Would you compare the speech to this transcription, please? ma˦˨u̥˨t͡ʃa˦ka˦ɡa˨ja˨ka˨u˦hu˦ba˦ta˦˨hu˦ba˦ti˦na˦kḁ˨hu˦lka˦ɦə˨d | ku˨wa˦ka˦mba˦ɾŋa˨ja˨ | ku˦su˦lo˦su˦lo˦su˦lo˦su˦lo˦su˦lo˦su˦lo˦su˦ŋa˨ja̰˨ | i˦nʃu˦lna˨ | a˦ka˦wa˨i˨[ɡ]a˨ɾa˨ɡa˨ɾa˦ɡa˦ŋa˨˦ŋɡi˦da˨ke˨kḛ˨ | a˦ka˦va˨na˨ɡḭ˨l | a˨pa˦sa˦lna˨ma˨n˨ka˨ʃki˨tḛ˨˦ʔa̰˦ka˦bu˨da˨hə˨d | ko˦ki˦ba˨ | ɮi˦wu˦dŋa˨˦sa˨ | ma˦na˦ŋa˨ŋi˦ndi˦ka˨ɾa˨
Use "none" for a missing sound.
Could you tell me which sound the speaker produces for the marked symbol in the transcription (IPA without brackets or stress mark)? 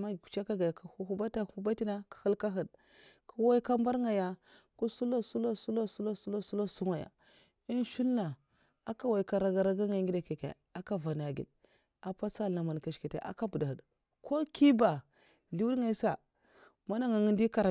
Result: k